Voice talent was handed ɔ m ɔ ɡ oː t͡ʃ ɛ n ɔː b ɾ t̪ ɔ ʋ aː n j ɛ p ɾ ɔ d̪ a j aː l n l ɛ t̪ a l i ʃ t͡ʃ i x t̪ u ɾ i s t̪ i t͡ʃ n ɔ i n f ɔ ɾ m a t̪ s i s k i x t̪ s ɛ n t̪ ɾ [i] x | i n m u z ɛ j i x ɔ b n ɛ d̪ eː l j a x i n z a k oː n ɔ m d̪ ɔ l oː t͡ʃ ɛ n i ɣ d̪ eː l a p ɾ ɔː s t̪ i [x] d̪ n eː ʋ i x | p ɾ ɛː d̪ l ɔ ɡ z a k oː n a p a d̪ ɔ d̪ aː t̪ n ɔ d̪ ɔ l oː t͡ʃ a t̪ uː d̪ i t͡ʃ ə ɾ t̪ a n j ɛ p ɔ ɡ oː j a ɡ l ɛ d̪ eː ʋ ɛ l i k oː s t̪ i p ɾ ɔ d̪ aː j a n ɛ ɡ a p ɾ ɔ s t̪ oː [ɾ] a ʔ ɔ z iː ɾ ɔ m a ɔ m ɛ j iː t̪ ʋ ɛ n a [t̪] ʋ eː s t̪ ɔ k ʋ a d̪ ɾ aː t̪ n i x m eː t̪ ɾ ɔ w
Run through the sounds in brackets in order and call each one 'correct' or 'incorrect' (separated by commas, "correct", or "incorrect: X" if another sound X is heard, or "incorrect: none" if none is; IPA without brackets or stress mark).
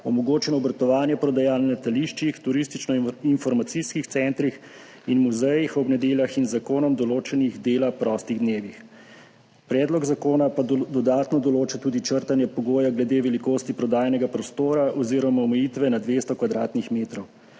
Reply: correct, incorrect: ɣ, correct, incorrect: d̪